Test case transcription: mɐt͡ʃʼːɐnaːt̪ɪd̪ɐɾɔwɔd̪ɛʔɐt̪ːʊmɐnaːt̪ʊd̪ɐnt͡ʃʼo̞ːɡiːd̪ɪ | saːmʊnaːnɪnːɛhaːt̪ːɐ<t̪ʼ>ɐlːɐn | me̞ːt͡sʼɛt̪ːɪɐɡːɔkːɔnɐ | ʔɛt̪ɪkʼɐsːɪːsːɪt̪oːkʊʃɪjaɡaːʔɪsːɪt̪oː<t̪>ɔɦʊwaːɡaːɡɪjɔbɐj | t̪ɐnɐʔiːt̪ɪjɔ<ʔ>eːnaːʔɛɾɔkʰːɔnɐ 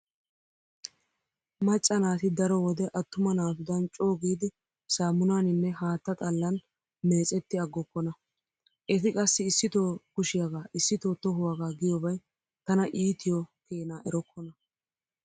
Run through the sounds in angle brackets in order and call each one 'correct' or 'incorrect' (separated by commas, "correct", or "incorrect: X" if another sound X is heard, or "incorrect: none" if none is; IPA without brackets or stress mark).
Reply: correct, correct, incorrect: k